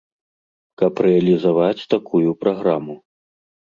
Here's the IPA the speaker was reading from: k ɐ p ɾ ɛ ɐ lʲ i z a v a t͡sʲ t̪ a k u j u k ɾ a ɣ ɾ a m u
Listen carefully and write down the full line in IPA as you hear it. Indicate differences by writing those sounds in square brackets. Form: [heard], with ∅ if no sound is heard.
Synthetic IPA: k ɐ p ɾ ɛ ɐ lʲ i z a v a t͡sʲ t̪ a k u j u [p] ɾ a ɣ ɾ a m u